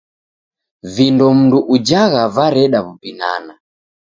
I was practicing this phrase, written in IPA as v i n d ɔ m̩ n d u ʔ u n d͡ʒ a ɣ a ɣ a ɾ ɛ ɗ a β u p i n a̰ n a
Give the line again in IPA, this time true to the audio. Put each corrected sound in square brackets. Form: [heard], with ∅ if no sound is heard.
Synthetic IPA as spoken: v i n d ɔ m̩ n d u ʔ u [∅] d͡ʒ a ɣ a [v] a ɾ ɛ ɗ a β u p i n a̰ n a

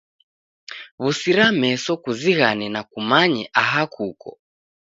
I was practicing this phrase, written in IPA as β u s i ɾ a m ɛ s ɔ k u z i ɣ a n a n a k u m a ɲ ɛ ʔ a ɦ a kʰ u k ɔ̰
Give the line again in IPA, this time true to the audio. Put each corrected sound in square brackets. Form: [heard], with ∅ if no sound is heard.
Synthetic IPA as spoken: β u s i ɾ a m ɛ s ɔ k u z i ɣ a n [ɛ] n a k u m a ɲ ɛ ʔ a ɦ a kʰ u k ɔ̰

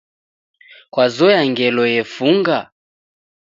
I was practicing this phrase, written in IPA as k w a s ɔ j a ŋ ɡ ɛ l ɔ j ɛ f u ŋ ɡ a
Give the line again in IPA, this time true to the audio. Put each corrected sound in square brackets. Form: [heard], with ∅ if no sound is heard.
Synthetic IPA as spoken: k w a [z] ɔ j a ŋ ɡ ɛ l ɔ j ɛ f u ŋ ɡ a

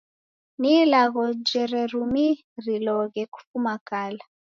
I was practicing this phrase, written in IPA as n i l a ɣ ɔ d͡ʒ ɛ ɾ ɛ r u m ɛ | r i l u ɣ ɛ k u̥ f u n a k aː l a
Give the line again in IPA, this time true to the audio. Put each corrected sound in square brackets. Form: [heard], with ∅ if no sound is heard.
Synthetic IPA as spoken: n i l a ɣ ɔ d͡ʒ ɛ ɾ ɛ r u m [i] | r i l [ɔ] ɣ ɛ k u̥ f u [m] a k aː l a

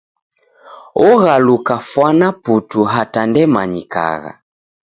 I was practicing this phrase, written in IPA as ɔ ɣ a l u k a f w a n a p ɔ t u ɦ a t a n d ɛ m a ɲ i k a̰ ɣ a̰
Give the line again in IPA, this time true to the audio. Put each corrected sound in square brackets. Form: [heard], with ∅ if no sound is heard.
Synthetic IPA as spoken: ɔ ɣ a l u k a f w a n a p [u] t u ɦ a t a n d ɛ m a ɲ i k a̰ ɣ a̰

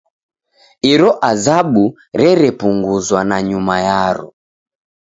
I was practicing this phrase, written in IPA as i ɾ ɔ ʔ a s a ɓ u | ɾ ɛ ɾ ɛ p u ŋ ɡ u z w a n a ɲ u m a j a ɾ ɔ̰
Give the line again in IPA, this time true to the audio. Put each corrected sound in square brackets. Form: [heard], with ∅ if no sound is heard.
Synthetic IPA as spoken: i ɾ ɔ ʔ a [z] a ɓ u | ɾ ɛ ɾ ɛ p u ŋ ɡ u z w a n a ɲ u m a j a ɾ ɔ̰

